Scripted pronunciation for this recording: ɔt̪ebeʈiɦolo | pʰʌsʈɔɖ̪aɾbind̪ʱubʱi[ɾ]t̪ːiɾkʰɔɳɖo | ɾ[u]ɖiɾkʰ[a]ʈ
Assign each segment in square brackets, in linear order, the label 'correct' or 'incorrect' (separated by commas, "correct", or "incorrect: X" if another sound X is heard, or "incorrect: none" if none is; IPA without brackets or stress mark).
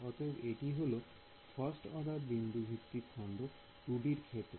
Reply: incorrect: none, correct, incorrect: e